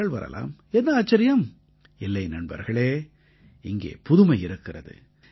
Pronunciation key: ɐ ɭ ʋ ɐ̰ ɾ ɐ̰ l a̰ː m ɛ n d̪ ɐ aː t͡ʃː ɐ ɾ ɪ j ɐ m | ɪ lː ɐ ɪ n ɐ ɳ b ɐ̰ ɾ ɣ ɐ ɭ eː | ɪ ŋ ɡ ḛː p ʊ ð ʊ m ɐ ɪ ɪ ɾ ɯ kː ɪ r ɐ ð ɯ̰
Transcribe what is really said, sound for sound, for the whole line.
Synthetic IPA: ɐ ɭ ʋ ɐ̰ ɾ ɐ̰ l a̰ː m ɛ n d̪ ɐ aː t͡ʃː ɐ ɾ ɪ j ɐ m | ɪ lː ɐ ɪ n ɐ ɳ b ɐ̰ ɾ ɣ ɐ ɭ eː | ɪ ŋ ɡ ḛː p ʊ ð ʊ m ɐ ɪ ɪ ɾ ɯ kː ɪ r ɐ ð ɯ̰